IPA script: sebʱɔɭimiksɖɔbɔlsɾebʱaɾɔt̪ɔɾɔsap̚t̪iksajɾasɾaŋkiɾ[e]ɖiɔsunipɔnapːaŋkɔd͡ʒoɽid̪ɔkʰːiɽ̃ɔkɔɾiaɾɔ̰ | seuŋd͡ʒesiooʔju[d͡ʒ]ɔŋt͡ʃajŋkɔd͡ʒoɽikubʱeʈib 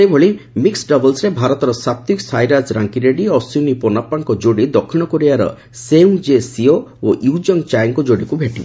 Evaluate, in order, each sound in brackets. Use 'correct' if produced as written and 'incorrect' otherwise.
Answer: correct, correct

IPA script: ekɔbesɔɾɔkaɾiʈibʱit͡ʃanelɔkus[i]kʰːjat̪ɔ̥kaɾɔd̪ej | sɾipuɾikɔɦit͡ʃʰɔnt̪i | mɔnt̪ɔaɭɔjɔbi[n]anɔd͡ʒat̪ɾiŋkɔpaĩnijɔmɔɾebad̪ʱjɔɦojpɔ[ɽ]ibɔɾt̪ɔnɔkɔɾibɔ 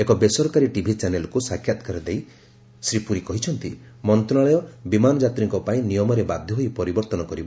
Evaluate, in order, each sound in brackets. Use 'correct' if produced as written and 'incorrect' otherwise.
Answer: incorrect, incorrect, incorrect

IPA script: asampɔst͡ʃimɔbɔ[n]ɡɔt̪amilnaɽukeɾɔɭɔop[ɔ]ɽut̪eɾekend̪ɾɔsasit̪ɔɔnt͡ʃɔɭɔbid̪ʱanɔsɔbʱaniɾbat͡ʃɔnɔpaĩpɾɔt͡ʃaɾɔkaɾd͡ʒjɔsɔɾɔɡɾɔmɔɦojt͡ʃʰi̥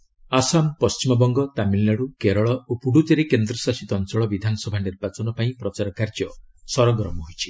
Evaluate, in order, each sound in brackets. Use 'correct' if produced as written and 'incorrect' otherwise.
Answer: incorrect, incorrect

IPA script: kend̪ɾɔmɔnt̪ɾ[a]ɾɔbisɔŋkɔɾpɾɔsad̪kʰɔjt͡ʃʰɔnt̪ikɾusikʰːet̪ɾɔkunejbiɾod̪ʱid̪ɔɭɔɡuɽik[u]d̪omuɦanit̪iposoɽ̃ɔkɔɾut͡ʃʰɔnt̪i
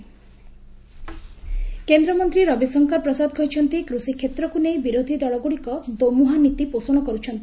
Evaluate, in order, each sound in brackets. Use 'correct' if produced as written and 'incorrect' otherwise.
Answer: incorrect, incorrect

